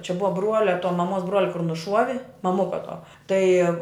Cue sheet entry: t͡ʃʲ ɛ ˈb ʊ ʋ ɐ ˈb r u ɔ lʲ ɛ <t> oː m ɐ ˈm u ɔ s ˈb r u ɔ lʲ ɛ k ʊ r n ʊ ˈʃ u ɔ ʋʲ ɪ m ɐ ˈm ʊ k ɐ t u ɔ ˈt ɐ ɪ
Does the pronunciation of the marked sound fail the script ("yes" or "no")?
no